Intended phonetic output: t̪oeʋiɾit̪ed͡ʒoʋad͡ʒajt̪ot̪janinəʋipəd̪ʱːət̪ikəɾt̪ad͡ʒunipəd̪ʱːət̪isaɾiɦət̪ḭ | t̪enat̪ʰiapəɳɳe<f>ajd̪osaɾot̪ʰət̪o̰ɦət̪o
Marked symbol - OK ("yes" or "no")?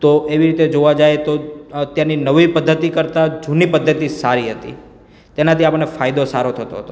yes